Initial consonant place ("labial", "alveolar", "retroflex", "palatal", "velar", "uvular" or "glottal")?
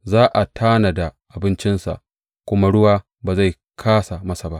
alveolar